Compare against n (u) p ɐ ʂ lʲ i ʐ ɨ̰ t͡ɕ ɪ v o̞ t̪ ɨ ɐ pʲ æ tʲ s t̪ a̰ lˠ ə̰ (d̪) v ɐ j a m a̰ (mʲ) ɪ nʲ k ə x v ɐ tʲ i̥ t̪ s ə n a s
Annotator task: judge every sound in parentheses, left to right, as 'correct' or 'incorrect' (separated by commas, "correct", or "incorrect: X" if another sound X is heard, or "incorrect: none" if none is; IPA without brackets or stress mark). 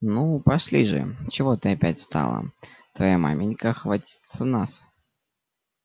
correct, incorrect: t̪, correct